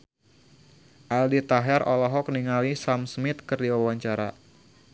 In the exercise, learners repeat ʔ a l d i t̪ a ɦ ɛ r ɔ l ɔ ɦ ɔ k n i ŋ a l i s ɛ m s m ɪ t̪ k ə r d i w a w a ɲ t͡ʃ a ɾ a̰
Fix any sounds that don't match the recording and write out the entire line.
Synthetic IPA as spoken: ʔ a l d i t̪ a ɦ ɛ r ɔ l ɔ ɦ ɔ k n i ŋ a l i s a m s m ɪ t̪ k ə r d i w a w a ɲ t͡ʃ a ɾ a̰